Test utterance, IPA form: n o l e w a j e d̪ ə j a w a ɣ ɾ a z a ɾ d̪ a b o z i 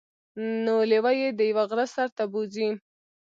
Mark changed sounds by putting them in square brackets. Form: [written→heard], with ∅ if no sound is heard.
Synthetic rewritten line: n o l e w a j e d̪ ə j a w a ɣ ɾ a [z→s] a ɾ [d̪→t̪] a b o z i